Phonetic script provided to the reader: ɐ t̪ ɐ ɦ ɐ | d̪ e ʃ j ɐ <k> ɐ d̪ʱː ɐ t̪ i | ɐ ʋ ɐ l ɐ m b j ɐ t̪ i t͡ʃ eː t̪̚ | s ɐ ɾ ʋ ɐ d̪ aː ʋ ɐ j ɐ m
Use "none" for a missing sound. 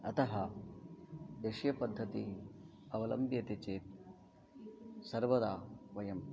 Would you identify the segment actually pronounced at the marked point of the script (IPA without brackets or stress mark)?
p